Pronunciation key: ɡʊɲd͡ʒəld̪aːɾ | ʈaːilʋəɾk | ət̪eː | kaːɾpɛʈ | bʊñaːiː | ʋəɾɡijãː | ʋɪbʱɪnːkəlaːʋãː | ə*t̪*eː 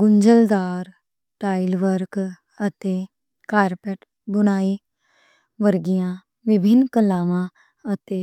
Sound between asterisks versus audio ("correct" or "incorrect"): correct